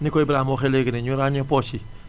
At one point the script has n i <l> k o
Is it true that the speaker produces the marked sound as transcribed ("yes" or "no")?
no